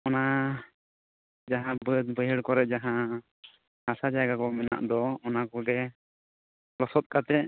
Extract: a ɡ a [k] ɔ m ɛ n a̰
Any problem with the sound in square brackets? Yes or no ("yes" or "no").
no